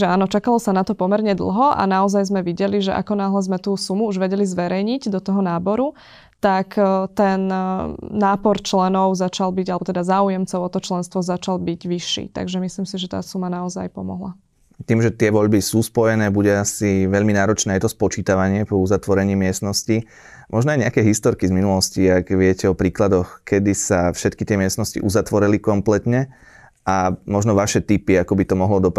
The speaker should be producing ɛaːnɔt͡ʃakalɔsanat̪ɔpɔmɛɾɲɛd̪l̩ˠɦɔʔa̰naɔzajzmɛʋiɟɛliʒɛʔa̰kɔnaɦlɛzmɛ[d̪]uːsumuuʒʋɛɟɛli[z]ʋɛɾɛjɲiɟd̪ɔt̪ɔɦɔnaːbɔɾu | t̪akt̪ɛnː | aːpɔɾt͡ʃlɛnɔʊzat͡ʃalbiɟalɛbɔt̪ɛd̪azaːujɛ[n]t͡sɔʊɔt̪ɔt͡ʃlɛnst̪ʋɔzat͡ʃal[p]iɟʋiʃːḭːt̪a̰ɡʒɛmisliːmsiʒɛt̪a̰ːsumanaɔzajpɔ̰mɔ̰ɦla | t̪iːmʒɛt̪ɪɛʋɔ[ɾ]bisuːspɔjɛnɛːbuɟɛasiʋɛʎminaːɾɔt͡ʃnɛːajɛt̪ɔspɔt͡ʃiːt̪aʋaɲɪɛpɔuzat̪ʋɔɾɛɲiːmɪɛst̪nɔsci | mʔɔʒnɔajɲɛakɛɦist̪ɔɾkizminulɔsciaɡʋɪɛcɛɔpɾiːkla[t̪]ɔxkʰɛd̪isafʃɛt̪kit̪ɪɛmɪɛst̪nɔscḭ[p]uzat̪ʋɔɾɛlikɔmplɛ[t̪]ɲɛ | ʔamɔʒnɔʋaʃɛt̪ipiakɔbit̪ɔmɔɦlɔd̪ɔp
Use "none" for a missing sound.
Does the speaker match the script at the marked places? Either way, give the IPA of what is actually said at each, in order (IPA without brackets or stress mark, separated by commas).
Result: t̪, z, m, b, ʎ, d̪, ʔ, t̪